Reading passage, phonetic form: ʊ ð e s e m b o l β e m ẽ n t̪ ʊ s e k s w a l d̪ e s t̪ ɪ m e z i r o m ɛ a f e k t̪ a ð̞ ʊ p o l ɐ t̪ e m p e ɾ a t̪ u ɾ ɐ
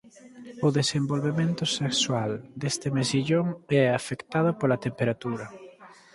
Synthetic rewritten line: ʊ ð e s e m b o l β e m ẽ n t̪ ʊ s e k s w a l d̪ e s t̪ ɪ m e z i ʎ o ŋ ɛ a f e k t̪ a ð̞ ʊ p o l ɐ t̪ e m p e ɾ a t̪ u ɾ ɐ